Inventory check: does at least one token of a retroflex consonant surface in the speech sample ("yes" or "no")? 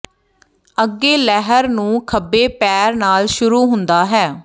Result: no